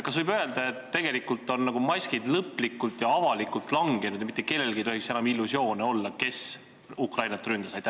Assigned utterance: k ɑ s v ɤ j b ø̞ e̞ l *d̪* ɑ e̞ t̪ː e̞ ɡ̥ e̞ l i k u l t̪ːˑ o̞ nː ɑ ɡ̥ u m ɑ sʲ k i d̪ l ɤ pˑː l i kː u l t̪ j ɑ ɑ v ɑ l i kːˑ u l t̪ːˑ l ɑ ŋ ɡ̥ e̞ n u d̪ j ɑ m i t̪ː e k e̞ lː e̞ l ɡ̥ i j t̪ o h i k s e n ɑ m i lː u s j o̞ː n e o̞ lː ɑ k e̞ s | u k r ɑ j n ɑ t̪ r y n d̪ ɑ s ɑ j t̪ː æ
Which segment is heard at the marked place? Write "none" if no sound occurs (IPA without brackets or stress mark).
d̪